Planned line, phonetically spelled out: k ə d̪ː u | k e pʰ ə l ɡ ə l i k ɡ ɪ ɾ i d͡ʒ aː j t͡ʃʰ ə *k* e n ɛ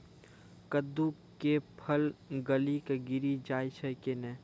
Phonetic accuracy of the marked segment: correct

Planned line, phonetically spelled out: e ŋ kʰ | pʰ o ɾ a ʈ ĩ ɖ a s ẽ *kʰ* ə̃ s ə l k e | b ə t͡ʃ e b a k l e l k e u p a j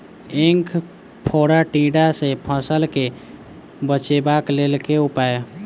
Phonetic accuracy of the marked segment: incorrect: pʰ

